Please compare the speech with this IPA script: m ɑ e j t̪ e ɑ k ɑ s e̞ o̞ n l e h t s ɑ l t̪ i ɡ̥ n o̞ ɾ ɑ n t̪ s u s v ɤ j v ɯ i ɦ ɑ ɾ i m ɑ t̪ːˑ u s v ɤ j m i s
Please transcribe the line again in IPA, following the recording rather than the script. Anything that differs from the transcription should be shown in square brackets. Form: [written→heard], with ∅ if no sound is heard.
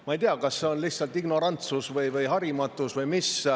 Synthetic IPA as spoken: m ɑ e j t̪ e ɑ k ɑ [s→sː] e̞ o̞ n l [e→i] h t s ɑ l t̪ i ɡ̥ n o̞ ɾ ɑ n t̪ s u s v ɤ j v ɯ [i→j] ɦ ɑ ɾ i m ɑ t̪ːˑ u s v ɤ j m i s